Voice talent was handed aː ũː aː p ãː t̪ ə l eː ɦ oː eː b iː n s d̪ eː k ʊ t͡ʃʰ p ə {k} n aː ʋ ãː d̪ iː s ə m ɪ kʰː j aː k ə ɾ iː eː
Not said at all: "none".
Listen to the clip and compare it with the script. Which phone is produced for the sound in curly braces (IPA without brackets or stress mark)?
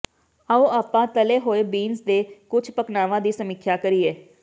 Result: k